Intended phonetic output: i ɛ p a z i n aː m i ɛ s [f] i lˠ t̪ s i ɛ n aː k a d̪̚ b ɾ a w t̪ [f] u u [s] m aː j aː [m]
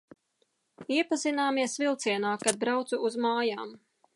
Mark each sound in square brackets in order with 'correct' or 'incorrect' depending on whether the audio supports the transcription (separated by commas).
incorrect, incorrect, incorrect, correct